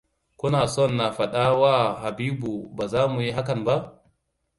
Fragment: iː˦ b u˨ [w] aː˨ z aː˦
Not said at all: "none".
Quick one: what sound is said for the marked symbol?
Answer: b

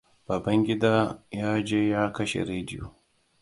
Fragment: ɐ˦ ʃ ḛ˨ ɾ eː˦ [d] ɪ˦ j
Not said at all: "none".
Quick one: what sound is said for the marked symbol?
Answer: d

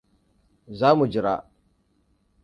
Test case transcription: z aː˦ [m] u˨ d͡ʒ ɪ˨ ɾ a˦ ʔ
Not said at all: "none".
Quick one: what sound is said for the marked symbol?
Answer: m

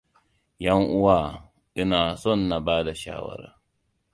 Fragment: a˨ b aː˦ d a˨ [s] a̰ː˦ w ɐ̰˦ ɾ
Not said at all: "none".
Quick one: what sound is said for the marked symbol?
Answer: ʃ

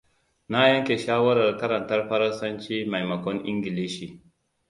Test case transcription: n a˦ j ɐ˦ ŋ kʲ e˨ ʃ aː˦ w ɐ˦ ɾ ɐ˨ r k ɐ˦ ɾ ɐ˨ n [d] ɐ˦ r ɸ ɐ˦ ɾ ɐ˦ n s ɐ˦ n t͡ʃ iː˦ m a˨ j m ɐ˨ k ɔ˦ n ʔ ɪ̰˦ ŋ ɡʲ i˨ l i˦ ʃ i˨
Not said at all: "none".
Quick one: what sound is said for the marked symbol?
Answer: t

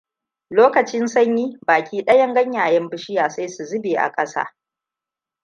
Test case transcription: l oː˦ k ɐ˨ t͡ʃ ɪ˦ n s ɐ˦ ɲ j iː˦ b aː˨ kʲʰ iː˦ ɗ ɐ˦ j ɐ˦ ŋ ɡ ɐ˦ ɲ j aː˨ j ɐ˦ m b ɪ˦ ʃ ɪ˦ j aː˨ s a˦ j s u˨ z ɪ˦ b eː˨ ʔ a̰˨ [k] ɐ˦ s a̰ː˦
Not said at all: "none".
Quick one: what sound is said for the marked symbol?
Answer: kʼ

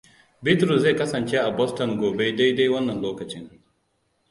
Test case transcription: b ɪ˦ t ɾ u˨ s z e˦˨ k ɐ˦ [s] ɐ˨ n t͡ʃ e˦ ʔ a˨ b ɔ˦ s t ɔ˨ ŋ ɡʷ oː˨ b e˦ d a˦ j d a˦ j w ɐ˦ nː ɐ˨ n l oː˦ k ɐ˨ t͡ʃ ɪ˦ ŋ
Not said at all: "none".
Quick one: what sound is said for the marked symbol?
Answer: s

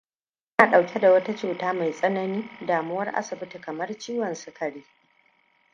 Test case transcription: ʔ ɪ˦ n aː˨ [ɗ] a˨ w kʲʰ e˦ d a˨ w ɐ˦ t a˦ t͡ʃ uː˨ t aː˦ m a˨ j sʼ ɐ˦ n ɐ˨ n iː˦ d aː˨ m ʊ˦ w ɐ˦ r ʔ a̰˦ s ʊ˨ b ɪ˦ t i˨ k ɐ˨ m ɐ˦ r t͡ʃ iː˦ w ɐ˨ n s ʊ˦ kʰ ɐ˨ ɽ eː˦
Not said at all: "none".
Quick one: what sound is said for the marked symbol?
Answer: ɗ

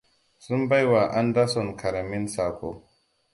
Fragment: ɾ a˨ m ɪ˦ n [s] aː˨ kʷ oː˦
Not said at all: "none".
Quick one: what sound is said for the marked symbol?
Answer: s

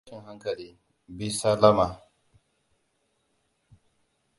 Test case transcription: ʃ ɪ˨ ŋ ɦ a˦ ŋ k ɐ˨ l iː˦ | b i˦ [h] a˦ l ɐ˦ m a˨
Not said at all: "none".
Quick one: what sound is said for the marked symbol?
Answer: s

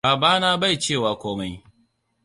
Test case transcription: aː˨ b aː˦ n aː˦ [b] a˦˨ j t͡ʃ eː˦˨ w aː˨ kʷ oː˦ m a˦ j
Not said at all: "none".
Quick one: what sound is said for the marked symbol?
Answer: b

